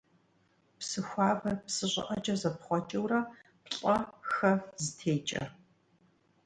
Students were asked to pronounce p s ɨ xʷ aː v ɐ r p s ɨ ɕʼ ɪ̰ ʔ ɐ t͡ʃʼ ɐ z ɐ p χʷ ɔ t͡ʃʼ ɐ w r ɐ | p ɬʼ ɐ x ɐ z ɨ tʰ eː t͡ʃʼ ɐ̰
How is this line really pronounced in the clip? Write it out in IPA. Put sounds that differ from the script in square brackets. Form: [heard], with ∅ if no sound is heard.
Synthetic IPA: p s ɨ xʷ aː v ɐ r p s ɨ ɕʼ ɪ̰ ʔ ɐ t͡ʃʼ ɐ z ɐ p χʷ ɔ t͡ʃʼ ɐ w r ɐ | p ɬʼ ɐ x ɐ z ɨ tʰ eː t͡ʃʼ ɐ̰